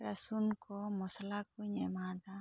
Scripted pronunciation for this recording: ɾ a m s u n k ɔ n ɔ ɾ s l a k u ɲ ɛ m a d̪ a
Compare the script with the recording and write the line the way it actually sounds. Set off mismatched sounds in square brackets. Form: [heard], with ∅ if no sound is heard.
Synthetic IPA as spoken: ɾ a [∅] s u n k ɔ [m] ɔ [∅] s l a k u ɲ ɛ m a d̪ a